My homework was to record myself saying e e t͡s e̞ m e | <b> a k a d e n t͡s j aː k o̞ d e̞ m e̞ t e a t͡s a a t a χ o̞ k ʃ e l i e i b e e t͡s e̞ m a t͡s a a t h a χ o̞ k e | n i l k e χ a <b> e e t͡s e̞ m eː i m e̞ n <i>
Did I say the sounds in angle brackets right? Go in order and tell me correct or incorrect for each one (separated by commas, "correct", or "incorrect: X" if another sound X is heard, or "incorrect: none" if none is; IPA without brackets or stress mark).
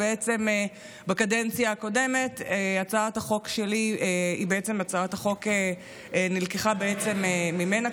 correct, correct, incorrect: a